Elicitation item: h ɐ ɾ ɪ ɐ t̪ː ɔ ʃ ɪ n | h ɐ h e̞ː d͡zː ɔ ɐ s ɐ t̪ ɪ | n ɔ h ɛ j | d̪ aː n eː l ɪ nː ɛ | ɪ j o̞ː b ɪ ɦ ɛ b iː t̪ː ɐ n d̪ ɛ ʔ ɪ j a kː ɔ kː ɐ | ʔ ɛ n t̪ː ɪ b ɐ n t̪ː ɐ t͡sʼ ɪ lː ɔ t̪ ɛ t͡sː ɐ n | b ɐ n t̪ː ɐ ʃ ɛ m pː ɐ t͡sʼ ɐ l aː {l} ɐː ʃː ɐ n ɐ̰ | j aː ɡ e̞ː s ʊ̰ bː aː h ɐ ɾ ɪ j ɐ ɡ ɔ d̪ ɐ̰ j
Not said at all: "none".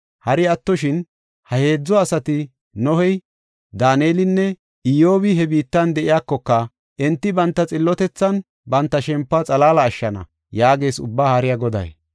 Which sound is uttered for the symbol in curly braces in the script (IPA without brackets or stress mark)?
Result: l